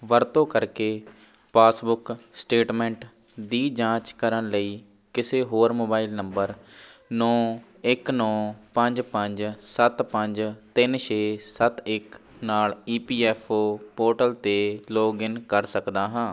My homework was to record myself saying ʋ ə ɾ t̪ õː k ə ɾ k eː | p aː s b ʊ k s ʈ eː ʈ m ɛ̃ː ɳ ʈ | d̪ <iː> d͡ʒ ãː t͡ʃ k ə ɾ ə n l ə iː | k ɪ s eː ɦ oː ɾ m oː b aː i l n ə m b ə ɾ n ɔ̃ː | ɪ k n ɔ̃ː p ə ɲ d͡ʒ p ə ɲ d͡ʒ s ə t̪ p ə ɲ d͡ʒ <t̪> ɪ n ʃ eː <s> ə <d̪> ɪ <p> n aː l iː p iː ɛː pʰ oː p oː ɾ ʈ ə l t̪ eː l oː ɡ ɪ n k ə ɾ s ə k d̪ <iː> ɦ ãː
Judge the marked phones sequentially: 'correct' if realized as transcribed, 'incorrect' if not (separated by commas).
correct, correct, correct, incorrect, incorrect, incorrect